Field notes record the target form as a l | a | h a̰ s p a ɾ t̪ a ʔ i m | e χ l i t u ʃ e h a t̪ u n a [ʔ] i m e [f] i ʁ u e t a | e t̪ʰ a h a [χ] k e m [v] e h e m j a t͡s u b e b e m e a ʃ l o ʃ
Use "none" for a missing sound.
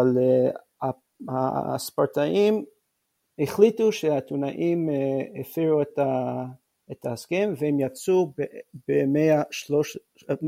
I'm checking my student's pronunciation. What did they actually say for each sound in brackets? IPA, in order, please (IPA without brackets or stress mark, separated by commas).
ʔ, f, s, v